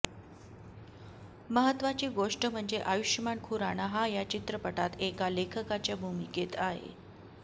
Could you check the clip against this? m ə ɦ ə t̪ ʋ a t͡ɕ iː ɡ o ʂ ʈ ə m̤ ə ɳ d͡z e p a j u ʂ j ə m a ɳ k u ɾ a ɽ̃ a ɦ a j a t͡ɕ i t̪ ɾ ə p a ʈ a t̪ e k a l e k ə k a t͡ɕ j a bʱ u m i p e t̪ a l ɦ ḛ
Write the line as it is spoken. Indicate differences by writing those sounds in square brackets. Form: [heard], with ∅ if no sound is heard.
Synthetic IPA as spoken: m ə ɦ ə t̪ ʋ a t͡ɕ iː ɡ o ʂ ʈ ə m̤ ə ɳ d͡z e [ʔ] a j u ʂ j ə m a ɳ [kʰ] u ɾ a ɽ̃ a ɦ a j a t͡ɕ i t̪ ɾ ə p [ə] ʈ a t̪ e k a l e [kʰ] ə k a t͡ɕ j a bʱ u m i [k] e t̪ a [∅] ɦ ḛ